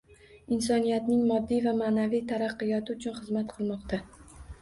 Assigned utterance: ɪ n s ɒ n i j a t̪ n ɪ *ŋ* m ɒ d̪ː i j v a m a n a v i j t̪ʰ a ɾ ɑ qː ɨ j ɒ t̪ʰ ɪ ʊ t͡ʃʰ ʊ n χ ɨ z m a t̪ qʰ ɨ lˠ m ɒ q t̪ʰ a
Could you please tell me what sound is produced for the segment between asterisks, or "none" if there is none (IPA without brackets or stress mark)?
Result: ŋ